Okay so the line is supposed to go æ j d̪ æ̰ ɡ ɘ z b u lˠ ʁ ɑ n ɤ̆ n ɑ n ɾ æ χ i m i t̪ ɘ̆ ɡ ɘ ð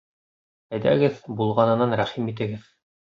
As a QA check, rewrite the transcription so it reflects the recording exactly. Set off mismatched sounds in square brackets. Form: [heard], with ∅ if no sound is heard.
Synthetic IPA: æ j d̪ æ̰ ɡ ɘ [ð] b u lˠ ʁ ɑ n ɤ̆ n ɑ n ɾ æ χ i m i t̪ ɘ̆ ɡ ɘ ð